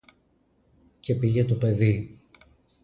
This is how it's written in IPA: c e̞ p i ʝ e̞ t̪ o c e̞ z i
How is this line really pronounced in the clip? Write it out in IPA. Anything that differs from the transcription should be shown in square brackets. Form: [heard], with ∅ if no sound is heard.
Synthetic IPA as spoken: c e̞ p i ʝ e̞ t̪ o [p] e̞ [ð] i